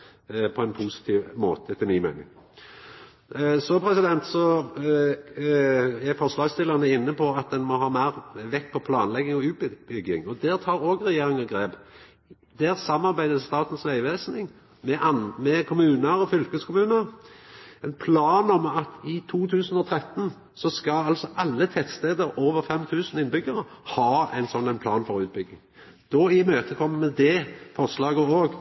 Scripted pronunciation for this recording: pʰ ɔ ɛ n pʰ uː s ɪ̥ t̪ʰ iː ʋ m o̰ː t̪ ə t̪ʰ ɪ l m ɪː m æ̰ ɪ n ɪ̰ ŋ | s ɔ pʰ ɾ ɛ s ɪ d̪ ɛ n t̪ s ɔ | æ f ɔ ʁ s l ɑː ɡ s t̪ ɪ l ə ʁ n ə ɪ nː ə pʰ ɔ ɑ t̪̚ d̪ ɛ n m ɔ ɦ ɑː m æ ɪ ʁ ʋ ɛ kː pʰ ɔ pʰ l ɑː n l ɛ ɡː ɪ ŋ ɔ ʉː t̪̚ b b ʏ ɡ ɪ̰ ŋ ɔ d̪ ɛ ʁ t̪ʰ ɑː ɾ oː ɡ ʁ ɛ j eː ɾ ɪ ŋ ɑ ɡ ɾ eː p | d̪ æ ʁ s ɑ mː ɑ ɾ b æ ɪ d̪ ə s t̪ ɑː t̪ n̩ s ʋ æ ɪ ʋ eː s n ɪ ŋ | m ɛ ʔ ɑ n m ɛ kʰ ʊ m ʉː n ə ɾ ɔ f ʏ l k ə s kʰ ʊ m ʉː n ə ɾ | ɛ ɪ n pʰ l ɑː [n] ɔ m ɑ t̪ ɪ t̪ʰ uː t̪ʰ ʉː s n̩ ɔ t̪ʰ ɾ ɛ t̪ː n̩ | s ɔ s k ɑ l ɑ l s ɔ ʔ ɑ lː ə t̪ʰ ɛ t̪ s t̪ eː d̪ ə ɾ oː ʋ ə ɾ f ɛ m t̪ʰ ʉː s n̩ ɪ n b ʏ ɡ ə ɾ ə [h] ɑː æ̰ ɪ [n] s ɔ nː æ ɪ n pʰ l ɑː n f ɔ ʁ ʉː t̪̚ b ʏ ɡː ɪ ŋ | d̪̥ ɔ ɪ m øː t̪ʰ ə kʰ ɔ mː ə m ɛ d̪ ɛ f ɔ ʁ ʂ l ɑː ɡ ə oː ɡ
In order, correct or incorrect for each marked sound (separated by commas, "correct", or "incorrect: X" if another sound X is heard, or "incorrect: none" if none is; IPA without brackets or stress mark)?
correct, correct, correct